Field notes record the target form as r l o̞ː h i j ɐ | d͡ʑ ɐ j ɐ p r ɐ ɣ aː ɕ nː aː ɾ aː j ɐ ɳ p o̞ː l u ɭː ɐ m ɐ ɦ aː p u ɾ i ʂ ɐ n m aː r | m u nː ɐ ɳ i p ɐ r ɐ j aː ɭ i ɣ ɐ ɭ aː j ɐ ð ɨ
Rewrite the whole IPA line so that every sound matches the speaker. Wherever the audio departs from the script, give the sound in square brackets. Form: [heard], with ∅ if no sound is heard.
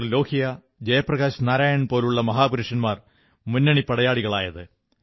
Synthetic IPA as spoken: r l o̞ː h i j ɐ | d͡ʑ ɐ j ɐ p r ɐ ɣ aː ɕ [n] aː ɾ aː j ɐ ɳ p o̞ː l u ɭː ɐ m ɐ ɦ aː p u ɾ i ʂ ɐ n m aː r | m u nː ɐ ɳ i p ɐ [ɽ] ɐ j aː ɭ i ɣ ɐ ɭ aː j ɐ ð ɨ